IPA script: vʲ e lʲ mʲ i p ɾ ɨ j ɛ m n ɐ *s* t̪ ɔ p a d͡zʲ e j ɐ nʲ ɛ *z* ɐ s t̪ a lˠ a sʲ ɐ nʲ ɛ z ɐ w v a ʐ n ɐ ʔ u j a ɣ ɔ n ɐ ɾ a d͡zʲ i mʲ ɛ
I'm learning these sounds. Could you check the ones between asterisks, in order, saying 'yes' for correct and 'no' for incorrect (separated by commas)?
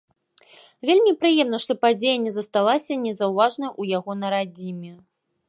no, yes